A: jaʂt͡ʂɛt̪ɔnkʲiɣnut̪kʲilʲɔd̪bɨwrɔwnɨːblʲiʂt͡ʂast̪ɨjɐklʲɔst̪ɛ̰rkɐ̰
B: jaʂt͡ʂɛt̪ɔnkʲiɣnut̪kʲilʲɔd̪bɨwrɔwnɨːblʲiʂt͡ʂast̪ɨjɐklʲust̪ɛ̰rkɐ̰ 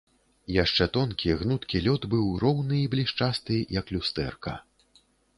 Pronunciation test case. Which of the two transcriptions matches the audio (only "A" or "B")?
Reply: B